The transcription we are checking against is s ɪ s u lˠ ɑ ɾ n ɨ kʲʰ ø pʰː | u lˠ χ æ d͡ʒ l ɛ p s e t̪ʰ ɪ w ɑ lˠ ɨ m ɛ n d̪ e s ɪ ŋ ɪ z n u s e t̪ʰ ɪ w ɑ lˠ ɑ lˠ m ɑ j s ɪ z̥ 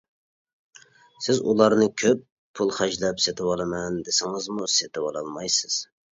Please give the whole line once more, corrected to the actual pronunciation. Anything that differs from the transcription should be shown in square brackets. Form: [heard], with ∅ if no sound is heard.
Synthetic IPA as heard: s ɪ [z] u lˠ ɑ ɾ n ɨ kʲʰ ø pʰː | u lˠ χ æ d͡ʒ l ɛ p s e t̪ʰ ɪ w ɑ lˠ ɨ m ɛ n d̪ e s ɪ ŋ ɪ z [m] u s e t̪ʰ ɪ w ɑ lˠ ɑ lˠ m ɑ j s ɪ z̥